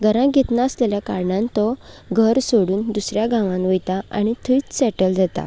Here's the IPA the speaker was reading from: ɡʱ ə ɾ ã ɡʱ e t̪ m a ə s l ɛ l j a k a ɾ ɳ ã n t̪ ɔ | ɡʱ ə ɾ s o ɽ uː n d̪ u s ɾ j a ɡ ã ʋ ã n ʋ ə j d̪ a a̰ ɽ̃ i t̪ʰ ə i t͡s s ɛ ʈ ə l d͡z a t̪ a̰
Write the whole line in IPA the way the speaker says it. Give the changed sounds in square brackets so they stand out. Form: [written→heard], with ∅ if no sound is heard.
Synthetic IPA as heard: ɡʱ ə ɾ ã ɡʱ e t̪ [m→n] a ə s l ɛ l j a k a ɾ ɳ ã n t̪ ɔ | ɡʱ ə ɾ s o ɽ uː n d̪ u s ɾ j a ɡ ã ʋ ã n ʋ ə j [d̪→t̪] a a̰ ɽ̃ i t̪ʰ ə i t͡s s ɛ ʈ ə l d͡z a t̪ a̰